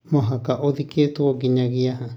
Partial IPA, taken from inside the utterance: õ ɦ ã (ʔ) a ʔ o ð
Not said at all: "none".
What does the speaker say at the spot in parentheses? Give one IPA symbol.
k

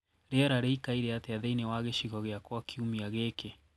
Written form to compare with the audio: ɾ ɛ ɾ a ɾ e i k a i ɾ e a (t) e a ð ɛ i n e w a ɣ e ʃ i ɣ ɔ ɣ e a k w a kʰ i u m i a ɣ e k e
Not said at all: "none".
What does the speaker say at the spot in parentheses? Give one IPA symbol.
t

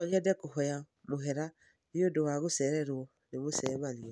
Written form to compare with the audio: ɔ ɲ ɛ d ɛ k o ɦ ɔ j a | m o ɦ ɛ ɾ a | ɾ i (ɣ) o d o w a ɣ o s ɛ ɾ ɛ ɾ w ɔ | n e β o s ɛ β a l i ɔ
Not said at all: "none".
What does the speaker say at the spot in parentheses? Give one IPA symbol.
none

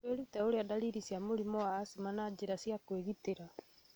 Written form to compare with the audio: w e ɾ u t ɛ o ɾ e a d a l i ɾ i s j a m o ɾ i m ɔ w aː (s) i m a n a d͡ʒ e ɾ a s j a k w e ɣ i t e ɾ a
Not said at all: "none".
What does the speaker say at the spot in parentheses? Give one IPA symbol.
s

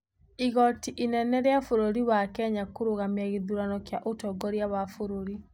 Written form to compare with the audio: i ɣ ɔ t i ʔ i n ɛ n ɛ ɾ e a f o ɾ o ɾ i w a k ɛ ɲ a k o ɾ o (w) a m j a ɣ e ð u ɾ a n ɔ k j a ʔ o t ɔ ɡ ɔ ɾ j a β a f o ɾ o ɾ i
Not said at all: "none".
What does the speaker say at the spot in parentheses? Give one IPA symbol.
ɣ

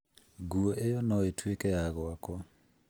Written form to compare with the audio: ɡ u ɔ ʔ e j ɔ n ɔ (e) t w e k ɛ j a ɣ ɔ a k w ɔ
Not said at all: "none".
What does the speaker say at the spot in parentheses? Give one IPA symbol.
e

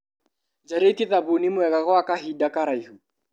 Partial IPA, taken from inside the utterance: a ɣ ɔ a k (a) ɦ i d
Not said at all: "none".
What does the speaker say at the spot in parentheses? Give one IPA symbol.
a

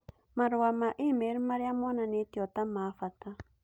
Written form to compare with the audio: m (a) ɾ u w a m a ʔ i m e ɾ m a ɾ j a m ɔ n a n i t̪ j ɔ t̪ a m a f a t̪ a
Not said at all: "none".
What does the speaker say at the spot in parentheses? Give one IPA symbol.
a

